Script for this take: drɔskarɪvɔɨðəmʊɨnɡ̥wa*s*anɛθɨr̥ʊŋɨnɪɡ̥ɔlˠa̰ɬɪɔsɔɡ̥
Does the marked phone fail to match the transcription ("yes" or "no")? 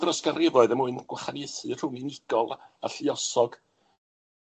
yes